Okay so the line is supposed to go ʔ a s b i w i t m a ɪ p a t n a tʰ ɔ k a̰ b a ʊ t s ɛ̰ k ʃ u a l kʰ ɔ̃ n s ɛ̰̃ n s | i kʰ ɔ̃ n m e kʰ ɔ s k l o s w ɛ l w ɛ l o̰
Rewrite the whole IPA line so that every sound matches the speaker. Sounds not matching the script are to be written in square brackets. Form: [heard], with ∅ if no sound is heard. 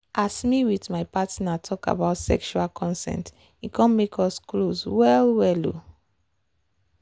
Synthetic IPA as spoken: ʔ a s [m] i w i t m a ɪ p a t n a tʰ ɔ k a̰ b a ʊ t s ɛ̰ k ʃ u a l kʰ ɔ̃ n s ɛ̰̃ n [t] | i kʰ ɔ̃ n m e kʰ ɔ s k l o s w ɛ l w ɛ l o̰